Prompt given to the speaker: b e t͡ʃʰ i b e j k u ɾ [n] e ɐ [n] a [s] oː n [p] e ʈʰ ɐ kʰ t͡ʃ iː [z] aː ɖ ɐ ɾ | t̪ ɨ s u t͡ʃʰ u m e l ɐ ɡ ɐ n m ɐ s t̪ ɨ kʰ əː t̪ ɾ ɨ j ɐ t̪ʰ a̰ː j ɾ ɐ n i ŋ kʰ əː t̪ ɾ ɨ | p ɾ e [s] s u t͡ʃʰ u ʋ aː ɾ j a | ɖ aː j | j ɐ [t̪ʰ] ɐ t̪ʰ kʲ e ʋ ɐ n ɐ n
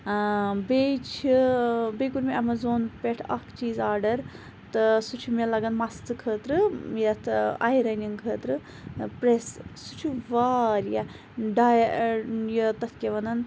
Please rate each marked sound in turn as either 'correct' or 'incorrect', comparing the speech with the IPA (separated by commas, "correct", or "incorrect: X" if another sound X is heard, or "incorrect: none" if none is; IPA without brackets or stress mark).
incorrect: m, incorrect: m, incorrect: z, correct, correct, correct, incorrect: t̪